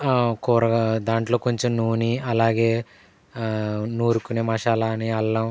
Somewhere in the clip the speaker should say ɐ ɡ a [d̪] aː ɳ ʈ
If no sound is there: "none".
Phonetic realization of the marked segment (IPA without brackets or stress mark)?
d̪